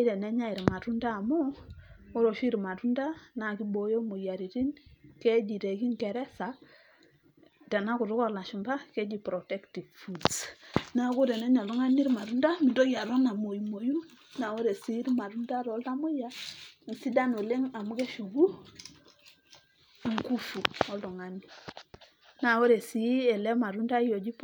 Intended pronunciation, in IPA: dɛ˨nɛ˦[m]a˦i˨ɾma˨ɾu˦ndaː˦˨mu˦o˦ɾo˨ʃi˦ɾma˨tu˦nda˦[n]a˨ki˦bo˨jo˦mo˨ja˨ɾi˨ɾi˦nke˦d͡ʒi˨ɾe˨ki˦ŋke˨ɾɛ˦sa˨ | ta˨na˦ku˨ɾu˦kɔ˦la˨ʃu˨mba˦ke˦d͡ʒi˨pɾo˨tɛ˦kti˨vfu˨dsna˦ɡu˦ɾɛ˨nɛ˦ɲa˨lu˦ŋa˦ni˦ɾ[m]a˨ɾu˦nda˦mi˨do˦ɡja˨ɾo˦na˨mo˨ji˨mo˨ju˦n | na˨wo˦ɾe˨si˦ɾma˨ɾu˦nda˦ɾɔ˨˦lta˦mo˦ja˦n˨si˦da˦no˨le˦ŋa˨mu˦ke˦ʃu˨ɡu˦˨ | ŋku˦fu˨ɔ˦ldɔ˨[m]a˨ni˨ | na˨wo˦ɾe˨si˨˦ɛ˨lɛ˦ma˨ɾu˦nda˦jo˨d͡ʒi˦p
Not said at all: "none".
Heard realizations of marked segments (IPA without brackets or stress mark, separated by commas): ɲ, n, m, ŋ